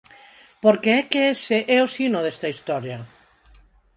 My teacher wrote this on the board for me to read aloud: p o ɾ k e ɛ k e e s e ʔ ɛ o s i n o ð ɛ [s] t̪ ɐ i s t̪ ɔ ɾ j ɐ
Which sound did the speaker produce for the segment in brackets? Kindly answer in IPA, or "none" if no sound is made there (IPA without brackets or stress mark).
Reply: s